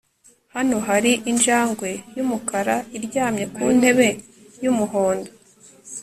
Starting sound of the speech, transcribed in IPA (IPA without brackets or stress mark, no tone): h